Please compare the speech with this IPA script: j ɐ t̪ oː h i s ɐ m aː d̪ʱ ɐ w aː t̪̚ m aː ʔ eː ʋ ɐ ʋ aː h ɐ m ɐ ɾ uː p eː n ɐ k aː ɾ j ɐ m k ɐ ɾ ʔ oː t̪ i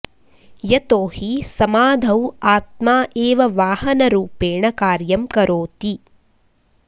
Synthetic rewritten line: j ɐ t̪ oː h i s ɐ m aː d̪ʱ ɐ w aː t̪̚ m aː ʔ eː ʋ ɐ ʋ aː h ɐ n ɐ ɾ uː p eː ɳ ɐ k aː ɾ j ɐ m k ɐ ɾ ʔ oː t̪ i